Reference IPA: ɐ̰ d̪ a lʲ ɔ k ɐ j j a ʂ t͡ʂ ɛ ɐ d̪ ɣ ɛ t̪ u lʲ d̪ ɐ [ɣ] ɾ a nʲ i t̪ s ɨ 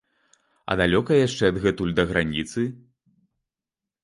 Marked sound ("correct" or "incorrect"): correct